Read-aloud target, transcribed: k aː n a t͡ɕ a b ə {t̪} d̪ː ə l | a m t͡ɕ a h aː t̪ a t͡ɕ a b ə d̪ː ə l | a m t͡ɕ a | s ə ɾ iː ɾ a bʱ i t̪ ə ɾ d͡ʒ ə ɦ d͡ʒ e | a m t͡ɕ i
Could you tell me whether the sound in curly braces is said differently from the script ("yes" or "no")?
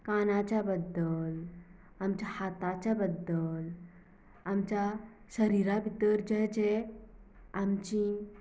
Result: yes